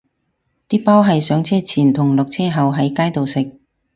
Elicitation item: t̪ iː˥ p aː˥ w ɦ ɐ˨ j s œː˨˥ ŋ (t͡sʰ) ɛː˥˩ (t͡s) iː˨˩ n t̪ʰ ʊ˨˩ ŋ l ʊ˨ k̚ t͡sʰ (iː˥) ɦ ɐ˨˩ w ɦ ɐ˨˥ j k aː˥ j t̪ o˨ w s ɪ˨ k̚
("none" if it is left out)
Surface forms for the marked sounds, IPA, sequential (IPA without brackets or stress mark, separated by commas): t͡sʰ, t͡sʰ, ɛː˥